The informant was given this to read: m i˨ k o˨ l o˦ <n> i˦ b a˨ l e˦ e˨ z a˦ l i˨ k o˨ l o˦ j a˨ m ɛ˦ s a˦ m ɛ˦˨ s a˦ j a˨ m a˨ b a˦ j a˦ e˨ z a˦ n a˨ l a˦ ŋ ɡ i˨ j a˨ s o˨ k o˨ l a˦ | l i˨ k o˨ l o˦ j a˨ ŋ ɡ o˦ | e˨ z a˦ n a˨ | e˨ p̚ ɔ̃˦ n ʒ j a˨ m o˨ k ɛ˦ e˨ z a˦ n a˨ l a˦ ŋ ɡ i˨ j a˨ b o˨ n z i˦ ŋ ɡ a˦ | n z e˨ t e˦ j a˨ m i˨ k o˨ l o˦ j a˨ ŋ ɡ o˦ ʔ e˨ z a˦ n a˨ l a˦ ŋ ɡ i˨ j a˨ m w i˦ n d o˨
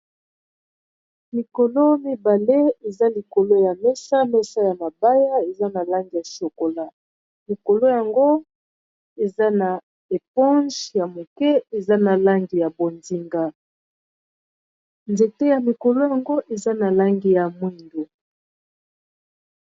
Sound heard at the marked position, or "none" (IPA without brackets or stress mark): m